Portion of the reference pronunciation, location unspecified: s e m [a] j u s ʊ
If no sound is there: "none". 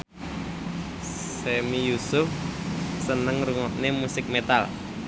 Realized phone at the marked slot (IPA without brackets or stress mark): i